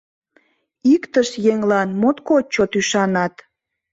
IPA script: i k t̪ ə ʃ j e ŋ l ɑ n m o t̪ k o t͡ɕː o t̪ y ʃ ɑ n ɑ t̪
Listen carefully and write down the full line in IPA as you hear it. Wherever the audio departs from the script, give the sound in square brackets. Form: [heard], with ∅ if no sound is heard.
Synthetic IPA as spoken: i k t̪ ə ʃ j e ŋ l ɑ n m o t̪ k o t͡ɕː o t̪ y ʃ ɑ n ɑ t̪